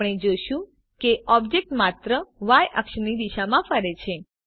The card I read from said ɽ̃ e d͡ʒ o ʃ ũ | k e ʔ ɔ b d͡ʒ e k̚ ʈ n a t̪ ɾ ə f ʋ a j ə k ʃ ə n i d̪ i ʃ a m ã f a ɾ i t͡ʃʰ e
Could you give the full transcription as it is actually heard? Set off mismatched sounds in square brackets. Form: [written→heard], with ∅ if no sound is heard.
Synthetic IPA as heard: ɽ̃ e d͡ʒ o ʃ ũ | k e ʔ ɔ b d͡ʒ e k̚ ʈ [n→m] a t̪ ɾ ə [f→∅] ʋ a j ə k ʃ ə n i d̪ i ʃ a m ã f [a→ə] ɾ [i→e] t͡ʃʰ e